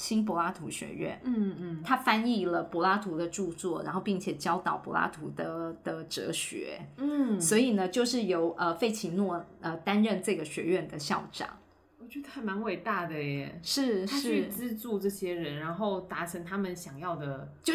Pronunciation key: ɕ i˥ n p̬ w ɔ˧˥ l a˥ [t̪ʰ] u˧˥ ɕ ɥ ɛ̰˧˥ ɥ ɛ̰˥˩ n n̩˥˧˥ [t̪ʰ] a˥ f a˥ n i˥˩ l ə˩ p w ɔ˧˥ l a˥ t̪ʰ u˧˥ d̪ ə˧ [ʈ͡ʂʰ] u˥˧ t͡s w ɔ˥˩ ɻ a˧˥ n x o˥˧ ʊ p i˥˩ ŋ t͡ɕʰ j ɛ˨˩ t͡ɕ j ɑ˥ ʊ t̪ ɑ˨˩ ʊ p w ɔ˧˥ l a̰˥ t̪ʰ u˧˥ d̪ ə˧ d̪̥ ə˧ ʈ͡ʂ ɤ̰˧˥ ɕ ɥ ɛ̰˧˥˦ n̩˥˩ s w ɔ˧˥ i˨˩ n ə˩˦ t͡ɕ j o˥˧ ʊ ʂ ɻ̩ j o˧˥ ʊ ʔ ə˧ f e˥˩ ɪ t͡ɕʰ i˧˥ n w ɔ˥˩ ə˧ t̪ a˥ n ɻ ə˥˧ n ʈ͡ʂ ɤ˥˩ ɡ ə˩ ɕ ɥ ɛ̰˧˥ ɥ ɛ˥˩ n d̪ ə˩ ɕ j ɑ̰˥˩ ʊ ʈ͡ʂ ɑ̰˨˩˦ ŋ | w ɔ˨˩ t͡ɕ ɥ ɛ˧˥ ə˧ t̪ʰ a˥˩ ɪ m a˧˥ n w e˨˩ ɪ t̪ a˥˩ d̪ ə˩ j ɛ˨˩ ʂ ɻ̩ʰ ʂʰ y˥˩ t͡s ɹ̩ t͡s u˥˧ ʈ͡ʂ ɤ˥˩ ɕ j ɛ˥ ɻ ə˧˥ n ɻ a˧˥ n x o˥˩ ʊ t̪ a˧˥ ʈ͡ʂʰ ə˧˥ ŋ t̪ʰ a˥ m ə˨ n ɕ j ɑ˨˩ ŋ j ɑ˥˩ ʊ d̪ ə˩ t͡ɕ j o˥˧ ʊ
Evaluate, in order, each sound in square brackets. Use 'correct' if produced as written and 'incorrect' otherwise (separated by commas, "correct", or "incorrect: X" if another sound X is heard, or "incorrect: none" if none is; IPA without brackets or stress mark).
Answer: correct, correct, incorrect: ʈ͡ʂ